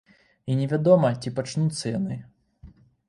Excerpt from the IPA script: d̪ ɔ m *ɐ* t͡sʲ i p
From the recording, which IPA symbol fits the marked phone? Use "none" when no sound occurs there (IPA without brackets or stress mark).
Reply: ɐ